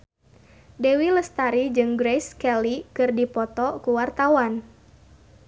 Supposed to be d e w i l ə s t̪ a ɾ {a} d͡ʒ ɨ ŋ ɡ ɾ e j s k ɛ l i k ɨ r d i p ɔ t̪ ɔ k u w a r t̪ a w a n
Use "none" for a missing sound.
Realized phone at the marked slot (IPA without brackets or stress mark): i